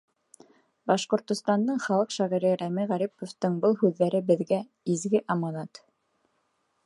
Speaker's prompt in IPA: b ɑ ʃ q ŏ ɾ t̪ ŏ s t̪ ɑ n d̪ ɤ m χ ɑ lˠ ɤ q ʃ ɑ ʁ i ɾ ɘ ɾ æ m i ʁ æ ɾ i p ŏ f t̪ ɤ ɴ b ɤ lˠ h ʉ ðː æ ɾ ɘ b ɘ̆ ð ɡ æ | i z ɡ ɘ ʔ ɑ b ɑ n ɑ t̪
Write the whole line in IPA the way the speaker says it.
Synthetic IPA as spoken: b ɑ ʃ q ŏ ɾ t̪ ŏ s t̪ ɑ n d̪ ɤ ɴ χ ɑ lˠ ɤ q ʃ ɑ ʁ i ɾ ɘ ɾ æ m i ʁ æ ɾ i p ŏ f t̪ ɤ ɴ b ɤ lˠ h ʉ ðː æ ɾ ɘ b ɘ̆ ð ɡ æ | i z ɡ ɘ ʔ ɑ m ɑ n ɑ t̪